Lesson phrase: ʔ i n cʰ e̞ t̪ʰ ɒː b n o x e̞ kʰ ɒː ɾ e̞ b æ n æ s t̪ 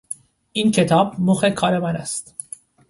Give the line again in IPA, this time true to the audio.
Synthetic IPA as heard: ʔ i n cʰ e̞ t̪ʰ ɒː b m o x e̞ kʰ ɒː ɾ e̞ m æ n æ s t̪

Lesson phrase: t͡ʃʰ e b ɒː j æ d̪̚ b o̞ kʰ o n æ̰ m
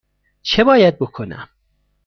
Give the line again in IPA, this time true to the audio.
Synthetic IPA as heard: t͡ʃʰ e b ɒː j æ d̪̚ b o̞ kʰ o n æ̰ m

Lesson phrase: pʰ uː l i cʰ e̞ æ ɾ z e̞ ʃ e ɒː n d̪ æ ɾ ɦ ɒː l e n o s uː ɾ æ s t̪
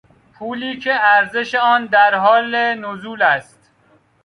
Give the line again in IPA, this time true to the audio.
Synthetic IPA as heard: pʰ uː l iː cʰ e̞ æ ɾ z e̞ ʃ e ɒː n d̪ æ ɾ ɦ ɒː l e n o z uː l æ s t̪

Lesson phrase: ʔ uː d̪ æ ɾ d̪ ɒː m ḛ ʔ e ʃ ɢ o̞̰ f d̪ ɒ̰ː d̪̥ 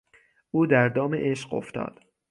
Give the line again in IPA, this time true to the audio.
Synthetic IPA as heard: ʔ uː d̪ æ ɾ d̪ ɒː m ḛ ʔ e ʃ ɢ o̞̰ f t̪ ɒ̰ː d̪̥

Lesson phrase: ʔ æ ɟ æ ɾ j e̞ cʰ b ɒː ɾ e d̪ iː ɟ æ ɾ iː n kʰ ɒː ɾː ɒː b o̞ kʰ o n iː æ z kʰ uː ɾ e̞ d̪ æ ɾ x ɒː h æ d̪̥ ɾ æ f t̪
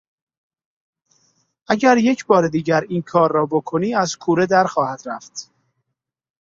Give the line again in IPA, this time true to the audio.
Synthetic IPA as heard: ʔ æ ɟ æ ɾ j e̞ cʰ b ɒː ɾ e d̪ iː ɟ æ ɾ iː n kʰ ɒː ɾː ɒː b o̞ kʰ o n iː æ z kʰ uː ɾ e̞ d̪ æ ɾ x ɒː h æ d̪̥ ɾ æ f t̪

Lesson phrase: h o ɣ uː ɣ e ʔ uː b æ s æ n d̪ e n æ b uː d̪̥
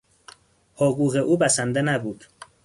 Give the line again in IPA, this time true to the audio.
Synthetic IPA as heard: h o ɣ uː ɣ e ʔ uː b æ s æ n d̪ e n æ b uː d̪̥

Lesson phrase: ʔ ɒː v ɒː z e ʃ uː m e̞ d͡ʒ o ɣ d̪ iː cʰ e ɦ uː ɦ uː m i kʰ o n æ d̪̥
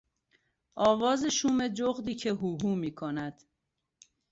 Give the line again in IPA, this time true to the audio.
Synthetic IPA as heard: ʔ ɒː v ɒː z e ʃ uː m e̞ d͡ʒ o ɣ d̪ iː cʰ e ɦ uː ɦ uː m iː kʰ o n æ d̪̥

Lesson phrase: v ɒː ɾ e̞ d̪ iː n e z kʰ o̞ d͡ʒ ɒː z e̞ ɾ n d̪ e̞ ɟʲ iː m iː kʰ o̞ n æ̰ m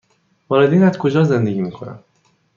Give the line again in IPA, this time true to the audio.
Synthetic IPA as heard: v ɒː ɾ e̞ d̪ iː n æ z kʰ o̞ d͡ʒ ɒː z e̞ n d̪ e̞ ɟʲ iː m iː kʰ o̞ n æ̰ m

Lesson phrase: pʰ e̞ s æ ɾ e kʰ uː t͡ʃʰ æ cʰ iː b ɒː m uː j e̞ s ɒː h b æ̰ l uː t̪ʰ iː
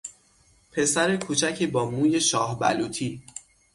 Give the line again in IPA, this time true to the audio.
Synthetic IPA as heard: pʰ e̞ s æ ɾ e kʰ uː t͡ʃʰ æ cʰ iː b ɒː m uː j e̞ ʃ ɒː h b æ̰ l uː t̪ʰ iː

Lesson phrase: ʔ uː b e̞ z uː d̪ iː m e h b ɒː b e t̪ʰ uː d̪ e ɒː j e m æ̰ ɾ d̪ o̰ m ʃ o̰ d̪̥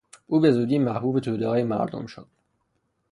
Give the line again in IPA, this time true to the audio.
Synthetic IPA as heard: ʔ uː b e̞ z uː d̪ iː m æ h b uː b e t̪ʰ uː d̪ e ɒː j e m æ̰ ɾ d̪ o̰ m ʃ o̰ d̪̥

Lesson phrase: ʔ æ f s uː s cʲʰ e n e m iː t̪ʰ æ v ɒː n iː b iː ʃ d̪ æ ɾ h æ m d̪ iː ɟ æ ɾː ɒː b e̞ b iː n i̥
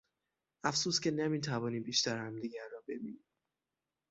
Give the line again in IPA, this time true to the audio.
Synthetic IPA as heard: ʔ æ f s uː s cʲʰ e n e m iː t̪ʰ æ v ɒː n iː b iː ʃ t̪ æ ɾ h æ m d̪ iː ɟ æ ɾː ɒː b e̞ b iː n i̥

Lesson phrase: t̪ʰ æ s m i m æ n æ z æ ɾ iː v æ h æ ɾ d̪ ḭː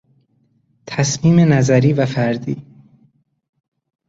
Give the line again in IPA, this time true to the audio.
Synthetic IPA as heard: t̪ʰ æ s m iː m e n æ z æ ɾ iː v æ f æ ɾ d̪ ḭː

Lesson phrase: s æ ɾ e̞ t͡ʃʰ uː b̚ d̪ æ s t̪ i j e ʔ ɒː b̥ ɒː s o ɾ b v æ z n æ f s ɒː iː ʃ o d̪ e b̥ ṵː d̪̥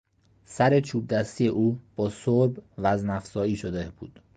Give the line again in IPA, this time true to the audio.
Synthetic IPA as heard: s æ ɾ e̞ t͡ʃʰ uː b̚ d̪ æ s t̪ i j e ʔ uː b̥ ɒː s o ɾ b v æ z n æ f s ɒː iː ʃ o d̪ e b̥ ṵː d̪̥

